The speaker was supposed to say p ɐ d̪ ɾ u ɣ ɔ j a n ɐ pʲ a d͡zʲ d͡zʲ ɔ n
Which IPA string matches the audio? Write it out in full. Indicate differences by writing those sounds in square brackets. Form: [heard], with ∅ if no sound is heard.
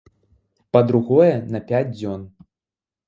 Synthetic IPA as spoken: p ɐ d̪ ɾ u ɣ ɔ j [ɛ] n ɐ pʲ a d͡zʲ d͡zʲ ɔ n